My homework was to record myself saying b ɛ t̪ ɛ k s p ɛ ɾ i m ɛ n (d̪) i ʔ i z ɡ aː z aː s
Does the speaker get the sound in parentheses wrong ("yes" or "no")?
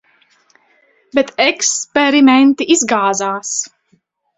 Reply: yes